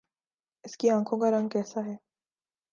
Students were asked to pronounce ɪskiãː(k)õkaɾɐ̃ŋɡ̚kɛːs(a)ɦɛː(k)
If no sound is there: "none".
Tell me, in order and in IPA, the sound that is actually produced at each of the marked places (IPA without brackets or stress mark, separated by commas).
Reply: kʰ, a, none